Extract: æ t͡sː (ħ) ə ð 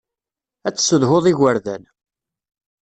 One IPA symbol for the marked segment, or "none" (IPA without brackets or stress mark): s